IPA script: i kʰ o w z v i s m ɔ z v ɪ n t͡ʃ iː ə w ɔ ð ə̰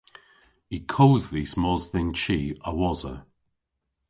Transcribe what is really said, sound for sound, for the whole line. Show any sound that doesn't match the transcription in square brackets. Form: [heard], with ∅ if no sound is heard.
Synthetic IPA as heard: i kʰ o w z [ð] i s m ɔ z [ð] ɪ n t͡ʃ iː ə w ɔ [z] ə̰